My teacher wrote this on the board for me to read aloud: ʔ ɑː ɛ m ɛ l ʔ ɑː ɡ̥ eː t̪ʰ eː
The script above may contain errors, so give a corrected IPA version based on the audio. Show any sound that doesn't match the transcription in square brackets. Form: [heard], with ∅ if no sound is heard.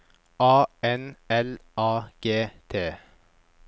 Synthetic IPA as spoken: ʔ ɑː ɛ [n] ɛ l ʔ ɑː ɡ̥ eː t̪ʰ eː